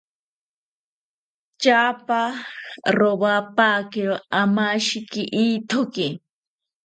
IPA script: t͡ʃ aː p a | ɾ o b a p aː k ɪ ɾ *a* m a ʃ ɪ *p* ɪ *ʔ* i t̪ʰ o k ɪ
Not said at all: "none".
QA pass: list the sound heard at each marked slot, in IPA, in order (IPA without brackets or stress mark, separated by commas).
a, k, ʔ